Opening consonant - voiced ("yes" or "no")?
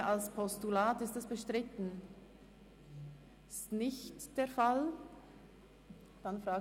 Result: yes